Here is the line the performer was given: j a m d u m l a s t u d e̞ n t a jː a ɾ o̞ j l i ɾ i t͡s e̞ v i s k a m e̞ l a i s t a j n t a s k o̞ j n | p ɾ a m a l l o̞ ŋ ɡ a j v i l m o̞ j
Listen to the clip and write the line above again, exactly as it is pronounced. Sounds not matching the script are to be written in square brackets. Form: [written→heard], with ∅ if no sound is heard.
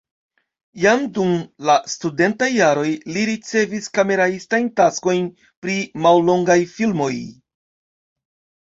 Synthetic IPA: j a m d u m l a s t u d e̞ n t a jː a ɾ o̞ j l i ɾ i t͡s e̞ v i s k a m e̞ [l→ɾ] a i s t a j n t a s k o̞ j n | p ɾ [a→i] m a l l o̞ ŋ ɡ a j [v→f] i l m o̞ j